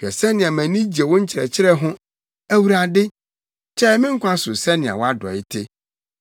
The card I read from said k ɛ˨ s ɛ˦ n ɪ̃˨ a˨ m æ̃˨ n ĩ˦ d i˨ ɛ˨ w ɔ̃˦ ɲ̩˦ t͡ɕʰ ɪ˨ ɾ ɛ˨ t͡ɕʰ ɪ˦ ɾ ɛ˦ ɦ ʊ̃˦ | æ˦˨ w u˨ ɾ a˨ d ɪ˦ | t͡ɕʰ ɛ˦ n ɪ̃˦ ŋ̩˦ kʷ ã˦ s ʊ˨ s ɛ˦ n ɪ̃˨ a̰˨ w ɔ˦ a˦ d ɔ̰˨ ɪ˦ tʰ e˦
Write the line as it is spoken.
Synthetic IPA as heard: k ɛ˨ s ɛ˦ n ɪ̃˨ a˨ m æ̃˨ n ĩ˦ d͡ʑ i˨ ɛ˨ w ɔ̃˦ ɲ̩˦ t͡ɕʰ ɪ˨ ɾ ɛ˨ t͡ɕʰ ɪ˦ ɾ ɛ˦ ɦ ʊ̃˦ | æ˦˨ w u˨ ɾ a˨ d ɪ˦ | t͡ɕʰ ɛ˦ m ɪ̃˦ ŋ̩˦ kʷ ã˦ s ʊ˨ s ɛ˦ n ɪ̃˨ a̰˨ w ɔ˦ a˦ d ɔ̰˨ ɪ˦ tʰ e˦